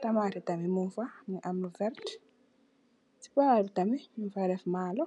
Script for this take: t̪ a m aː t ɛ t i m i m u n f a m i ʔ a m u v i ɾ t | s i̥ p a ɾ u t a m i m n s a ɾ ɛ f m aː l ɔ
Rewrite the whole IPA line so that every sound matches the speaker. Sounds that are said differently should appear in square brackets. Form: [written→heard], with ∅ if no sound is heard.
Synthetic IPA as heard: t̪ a m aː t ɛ t [i→a] m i m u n f a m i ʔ a m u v [i→ɛ] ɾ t | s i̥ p a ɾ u t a m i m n [s→f] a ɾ ɛ f m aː l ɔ